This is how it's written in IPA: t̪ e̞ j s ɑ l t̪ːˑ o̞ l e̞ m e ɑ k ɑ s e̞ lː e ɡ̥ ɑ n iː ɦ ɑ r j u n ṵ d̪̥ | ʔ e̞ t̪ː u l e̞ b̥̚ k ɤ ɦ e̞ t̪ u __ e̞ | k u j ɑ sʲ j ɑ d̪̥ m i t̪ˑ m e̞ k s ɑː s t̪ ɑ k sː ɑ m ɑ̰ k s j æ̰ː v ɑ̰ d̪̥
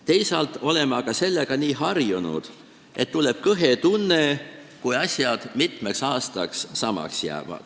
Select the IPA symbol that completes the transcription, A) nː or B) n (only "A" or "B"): A